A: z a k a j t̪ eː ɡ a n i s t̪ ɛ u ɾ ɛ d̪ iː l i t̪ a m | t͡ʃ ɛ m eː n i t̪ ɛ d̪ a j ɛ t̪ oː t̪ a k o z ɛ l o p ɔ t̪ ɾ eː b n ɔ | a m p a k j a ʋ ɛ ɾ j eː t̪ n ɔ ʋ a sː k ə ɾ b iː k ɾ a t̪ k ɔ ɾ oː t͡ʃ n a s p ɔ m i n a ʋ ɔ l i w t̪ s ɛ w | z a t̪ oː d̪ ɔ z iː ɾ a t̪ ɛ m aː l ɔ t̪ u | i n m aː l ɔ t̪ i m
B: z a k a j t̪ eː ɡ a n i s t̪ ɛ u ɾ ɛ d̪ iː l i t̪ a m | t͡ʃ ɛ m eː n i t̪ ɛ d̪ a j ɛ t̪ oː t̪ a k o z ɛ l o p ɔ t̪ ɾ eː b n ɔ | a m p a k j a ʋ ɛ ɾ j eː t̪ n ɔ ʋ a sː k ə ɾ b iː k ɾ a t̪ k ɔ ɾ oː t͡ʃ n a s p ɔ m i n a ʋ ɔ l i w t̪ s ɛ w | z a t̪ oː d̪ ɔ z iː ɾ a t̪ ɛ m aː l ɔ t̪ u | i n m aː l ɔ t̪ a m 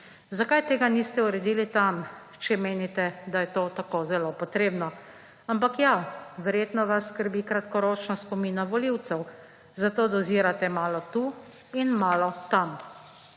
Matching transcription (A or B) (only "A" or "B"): B